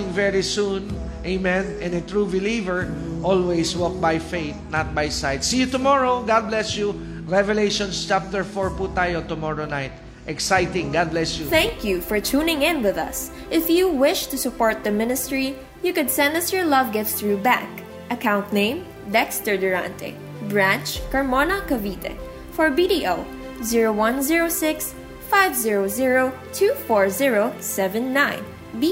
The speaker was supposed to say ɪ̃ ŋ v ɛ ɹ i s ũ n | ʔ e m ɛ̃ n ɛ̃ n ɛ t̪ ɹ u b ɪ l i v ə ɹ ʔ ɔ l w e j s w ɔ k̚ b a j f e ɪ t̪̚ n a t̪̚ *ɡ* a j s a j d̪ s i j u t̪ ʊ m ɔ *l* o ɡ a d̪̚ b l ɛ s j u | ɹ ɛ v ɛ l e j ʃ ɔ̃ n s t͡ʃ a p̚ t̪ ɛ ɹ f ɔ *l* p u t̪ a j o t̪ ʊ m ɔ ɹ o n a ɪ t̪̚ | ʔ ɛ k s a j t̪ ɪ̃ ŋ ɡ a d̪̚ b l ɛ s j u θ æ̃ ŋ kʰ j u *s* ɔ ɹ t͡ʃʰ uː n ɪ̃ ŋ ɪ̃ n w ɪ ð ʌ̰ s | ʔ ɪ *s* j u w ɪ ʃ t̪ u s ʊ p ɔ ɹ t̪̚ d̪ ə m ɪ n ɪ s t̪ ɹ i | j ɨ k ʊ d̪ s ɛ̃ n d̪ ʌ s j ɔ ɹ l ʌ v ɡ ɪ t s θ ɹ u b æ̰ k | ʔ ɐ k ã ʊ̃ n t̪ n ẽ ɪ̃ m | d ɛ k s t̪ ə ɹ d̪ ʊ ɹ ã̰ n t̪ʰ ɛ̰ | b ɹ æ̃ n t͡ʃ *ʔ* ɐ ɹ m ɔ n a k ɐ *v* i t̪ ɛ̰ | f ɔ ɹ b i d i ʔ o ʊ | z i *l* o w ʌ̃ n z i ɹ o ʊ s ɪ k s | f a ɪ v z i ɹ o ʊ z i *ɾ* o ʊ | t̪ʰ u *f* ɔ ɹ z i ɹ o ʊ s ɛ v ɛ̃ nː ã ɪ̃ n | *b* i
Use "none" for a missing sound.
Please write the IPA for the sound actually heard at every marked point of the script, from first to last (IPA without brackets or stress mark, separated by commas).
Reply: b, ɹ, ɹ, f, f, k, v, ɹ, ɹ, f, b